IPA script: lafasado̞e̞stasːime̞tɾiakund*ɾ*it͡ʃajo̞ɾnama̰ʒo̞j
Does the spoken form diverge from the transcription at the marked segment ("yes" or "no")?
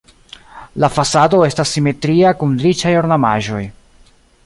no